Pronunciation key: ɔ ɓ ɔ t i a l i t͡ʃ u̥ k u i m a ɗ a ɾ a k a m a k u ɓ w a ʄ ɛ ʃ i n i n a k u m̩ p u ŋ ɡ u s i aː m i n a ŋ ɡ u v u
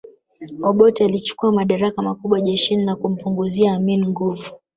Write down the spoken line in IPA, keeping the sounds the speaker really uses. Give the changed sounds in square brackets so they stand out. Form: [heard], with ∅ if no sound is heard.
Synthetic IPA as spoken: ɔ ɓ ɔ t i a l i t͡ʃ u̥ k u [a] m a ɗ a ɾ a k a m a k u ɓ w a ʄ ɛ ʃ i n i n a k u m̩ p u ŋ ɡ u [z] i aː m i n [i] ŋ ɡ u v u